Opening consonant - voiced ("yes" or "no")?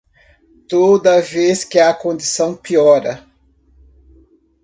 no